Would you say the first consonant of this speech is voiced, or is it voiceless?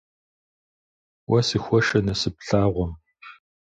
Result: voiced